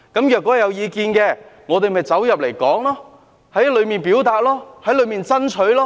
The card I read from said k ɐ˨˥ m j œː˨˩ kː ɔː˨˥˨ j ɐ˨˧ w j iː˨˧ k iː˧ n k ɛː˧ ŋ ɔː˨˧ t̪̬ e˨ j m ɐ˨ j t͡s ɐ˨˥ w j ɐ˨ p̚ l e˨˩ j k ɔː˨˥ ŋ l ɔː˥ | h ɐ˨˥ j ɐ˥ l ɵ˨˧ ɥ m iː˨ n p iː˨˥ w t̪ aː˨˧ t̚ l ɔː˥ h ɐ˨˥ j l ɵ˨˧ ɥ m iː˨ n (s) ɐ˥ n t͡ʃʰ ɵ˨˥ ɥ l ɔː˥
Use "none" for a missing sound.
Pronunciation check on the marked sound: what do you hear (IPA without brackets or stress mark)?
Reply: t͡s